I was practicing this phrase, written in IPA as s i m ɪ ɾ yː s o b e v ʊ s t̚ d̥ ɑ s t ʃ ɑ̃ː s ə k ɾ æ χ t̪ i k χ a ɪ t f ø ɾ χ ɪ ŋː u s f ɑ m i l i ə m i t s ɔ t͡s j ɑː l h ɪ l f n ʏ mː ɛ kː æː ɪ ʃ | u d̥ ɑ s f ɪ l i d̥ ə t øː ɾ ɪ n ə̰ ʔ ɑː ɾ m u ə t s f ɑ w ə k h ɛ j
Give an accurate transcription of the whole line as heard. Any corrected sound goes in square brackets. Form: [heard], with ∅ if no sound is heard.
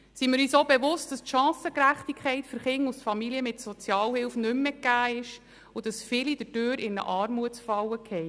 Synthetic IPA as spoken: s i m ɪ ɾ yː s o b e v ʊ s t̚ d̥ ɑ s t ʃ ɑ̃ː s ə k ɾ æ χ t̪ i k χ [ɛ] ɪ t f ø ɾ χ ɪ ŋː u s f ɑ m i l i ə m [ɪ] t s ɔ t͡s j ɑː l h ɪ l f n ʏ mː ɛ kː æː ɪ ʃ | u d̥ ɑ s f ɪ l i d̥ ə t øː ɾ ɪ n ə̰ ʔ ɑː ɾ m u ə t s f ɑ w ə k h ɛ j